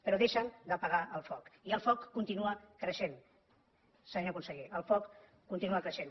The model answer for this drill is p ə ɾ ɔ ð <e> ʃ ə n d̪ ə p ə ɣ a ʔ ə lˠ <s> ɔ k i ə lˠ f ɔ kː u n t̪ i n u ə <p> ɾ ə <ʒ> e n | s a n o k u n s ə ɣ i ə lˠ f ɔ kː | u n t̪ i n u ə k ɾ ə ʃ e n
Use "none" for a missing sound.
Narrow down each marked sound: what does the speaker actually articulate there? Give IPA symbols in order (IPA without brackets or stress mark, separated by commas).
e, f, k, ʃ